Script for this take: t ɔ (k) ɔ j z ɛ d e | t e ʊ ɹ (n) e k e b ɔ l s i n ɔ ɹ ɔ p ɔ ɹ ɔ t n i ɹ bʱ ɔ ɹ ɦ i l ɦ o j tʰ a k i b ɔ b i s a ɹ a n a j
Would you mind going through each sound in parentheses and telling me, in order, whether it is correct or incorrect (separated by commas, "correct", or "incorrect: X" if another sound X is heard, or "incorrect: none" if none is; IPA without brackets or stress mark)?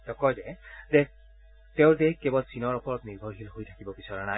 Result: correct, incorrect: d